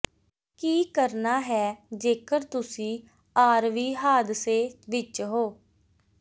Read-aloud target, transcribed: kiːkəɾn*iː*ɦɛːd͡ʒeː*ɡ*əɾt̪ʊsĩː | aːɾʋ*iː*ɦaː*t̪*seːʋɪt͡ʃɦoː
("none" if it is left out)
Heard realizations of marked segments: aː, k, iː, d̪

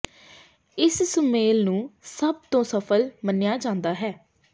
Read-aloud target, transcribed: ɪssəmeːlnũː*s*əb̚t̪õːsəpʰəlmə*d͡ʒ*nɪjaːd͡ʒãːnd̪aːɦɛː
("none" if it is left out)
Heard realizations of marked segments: s, none

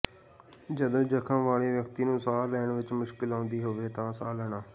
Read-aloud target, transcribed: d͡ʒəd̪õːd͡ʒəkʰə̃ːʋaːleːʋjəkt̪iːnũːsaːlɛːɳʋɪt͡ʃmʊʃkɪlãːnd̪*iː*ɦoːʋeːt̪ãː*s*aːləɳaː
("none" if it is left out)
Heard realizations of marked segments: iː, s

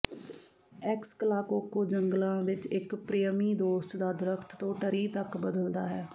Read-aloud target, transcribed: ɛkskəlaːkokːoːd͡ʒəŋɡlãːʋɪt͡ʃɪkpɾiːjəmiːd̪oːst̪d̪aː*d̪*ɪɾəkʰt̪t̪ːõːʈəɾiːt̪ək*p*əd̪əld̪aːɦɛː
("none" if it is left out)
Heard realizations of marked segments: d̪, b

